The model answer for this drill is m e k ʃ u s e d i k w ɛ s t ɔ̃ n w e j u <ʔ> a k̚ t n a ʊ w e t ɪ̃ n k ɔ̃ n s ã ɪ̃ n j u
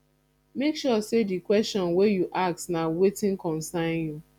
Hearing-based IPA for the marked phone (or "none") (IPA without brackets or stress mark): ʔ